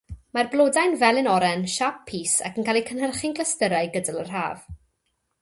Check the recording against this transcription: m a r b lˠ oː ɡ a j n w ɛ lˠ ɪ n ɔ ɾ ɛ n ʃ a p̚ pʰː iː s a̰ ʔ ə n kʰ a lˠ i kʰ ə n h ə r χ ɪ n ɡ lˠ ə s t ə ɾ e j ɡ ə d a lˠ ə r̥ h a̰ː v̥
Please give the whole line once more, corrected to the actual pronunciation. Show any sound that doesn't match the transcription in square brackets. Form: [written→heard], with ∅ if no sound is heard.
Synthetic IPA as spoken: m a r b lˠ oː [ɡ→d] a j n [w→v] ɛ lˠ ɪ n ɔ ɾ ɛ n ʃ a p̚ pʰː iː s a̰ [ʔ→k] ə n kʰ a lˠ i kʰ ə n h ə r χ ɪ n ɡ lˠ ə s t ə ɾ [e→a] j ɡ ə d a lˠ ə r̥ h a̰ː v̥